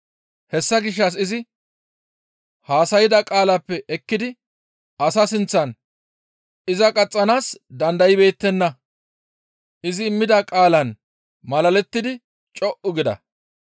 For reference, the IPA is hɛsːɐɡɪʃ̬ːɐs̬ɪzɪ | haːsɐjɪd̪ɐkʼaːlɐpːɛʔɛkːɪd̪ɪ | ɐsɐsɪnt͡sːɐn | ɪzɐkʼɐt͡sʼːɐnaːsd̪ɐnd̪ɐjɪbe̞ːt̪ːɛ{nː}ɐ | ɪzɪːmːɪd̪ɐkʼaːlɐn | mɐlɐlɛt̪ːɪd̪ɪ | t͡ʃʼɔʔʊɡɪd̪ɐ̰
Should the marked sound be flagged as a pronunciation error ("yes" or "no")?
no